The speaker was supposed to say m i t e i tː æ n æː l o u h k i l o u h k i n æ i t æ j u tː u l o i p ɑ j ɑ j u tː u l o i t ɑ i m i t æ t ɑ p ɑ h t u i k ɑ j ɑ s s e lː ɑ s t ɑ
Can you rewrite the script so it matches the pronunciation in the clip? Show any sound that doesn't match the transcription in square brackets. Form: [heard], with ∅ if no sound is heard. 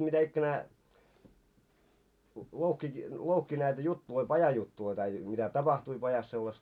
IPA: m i t [æ] i [kː] æ n æː l o u h k i l o u h k i n æ i t æ j u tː u l o i p ɑ j ɑ j u tː u l o i t ɑ i m i t æ t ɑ p ɑ h t u i [p] ɑ j ɑ s s e lː ɑ s t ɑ